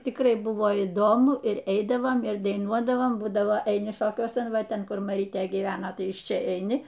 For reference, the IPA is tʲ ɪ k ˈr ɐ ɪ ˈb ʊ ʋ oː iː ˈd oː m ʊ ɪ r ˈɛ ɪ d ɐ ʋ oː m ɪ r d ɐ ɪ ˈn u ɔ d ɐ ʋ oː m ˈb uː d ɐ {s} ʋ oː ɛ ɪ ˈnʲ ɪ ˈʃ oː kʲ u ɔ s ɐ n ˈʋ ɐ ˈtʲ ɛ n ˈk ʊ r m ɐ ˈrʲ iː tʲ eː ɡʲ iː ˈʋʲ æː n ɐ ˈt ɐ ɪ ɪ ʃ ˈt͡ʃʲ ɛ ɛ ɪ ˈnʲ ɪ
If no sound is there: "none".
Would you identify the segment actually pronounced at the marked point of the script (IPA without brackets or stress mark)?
none